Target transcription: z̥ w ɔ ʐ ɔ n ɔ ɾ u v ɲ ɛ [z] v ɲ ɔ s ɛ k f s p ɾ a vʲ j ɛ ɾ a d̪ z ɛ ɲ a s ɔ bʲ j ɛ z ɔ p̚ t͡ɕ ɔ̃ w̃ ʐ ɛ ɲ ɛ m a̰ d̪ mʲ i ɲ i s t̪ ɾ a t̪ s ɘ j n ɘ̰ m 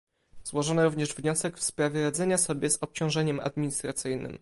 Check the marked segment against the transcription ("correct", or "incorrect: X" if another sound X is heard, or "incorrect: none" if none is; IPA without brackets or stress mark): incorrect: ʐ